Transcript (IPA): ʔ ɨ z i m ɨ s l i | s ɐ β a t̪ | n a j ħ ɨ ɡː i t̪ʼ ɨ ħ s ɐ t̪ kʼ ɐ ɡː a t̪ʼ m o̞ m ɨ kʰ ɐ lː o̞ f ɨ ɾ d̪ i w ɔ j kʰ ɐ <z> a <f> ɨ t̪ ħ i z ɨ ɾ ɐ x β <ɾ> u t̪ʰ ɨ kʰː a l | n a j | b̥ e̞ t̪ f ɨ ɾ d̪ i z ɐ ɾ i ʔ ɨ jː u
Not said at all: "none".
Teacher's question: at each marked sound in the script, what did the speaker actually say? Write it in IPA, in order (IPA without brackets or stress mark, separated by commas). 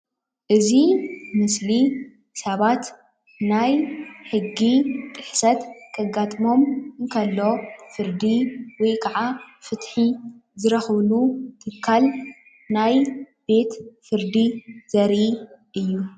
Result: ʕ, f, l